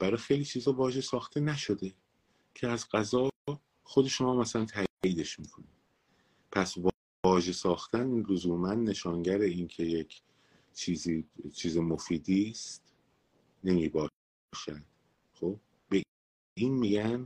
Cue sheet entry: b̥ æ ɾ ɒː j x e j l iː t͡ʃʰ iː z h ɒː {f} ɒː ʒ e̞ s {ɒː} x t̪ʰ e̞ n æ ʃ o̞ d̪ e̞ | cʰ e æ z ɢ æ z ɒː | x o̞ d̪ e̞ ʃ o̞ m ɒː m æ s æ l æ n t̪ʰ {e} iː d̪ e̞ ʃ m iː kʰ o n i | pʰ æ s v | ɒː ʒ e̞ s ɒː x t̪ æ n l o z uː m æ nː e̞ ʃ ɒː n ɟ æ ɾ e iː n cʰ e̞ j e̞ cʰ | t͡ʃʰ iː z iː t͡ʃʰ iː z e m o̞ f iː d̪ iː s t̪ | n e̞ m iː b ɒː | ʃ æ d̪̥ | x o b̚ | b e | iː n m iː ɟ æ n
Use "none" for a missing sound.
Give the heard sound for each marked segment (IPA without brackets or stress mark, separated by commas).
v, ɒː, æ